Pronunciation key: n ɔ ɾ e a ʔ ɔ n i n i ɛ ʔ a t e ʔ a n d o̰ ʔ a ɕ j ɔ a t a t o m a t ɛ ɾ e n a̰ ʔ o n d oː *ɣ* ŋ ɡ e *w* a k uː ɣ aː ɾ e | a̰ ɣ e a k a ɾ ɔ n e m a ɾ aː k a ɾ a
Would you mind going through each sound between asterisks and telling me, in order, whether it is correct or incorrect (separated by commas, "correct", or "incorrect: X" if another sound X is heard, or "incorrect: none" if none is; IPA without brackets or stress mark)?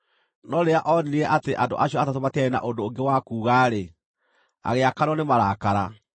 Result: incorrect: none, correct